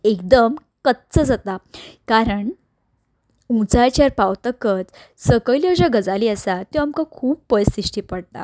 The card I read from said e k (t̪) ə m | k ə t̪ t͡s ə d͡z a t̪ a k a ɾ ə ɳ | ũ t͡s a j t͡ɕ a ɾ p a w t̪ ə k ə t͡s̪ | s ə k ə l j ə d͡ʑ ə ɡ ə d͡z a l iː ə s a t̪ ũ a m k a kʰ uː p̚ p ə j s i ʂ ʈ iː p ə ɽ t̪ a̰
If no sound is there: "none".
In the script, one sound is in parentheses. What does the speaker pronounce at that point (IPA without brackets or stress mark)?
d̪